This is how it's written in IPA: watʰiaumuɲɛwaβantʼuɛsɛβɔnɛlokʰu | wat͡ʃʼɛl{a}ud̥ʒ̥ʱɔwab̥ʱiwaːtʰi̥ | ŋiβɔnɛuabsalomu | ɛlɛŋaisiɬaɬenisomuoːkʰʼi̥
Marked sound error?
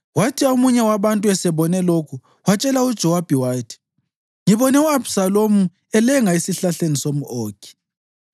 no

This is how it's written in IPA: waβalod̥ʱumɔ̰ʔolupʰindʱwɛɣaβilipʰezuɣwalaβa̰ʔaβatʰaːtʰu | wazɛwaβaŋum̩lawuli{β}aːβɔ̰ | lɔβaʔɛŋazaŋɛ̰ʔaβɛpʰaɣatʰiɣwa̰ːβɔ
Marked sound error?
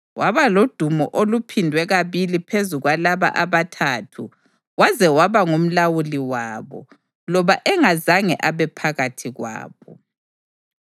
yes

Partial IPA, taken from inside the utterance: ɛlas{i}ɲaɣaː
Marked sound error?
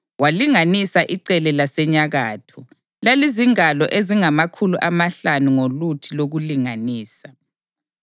yes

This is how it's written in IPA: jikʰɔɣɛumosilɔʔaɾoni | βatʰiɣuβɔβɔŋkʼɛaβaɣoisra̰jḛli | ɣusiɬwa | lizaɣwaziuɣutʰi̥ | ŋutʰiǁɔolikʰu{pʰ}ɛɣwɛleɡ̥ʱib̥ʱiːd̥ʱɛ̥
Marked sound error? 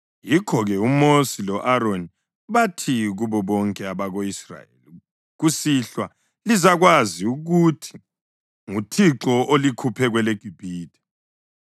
no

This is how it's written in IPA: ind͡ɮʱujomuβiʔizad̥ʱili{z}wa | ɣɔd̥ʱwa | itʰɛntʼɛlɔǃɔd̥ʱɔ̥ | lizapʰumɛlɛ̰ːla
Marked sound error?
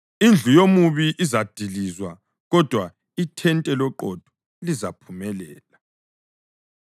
no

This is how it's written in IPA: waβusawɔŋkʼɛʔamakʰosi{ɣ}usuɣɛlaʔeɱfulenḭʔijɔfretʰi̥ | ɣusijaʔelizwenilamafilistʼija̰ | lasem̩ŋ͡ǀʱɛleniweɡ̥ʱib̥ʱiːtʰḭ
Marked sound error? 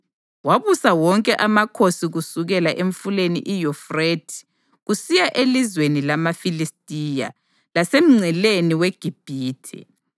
no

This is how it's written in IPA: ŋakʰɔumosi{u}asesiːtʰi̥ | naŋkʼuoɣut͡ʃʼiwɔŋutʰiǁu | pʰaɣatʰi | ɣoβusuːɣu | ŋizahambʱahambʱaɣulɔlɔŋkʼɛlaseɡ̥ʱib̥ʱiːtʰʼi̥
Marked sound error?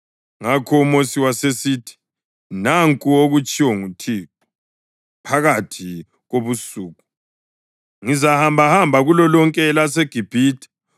yes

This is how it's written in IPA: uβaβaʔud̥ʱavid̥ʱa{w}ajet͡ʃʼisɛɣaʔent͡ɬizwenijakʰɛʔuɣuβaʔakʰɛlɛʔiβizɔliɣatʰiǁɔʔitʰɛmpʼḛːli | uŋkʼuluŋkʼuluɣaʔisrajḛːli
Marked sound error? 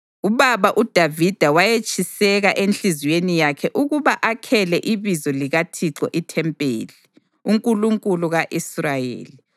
no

